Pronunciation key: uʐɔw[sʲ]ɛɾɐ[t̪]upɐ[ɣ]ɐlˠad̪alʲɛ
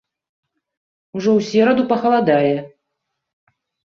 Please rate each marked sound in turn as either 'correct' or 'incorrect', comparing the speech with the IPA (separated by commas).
correct, incorrect, incorrect